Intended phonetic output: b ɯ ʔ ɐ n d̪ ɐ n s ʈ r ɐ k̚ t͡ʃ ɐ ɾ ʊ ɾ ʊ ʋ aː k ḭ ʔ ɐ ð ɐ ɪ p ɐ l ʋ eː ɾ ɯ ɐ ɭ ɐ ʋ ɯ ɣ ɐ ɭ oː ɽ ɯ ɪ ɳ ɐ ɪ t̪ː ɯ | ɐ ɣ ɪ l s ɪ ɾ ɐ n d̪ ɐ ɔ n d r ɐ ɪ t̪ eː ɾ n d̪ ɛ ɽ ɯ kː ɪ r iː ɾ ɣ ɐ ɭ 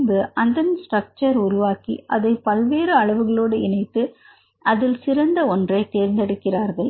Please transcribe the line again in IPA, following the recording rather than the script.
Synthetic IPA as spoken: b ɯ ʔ ɐ n d̪ ɐ n s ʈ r ɐ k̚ t͡ʃ ɐ ɾ ʊ ɾ ʊ ʋ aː k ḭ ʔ ɐ ð ɐ ɪ p ɐ l ʋ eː ɾ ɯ ɐ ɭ ɐ ʋ ɯ ɣ ɐ ɭ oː ɽ ɯ ɪ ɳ ɐ ɪ t̪ː ɯ | ɐ ð ɪ l s ɪ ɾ ɐ n d̪ ɐ ɔ n d r ɐ ɪ t̪ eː ɾ n d̪ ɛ ɽ ɯ kː ɪ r aː ɾ ɣ ɐ ɭ